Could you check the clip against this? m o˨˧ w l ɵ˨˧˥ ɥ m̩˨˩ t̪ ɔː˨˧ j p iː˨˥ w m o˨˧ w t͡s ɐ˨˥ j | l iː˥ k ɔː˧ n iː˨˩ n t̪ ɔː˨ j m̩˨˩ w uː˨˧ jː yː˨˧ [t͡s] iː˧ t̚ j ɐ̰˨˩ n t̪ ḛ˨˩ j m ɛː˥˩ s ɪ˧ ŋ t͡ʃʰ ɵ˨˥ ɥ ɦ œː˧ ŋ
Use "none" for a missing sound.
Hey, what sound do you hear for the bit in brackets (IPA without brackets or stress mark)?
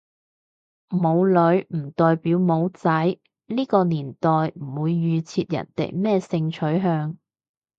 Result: t͡sʰ